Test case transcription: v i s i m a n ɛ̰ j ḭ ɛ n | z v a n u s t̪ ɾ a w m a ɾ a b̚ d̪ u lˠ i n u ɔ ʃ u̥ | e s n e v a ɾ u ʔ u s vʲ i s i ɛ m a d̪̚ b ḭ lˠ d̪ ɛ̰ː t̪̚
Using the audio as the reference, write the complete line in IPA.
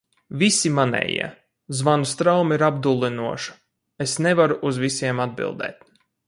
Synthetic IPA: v i s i m a n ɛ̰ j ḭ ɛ | z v a n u s t̪ ɾ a w m i ɾ a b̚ d̪ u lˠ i n u ɔ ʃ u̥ | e s n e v a ɾ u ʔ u z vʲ i s i ɛ m a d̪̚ b ḭ lˠ d̪ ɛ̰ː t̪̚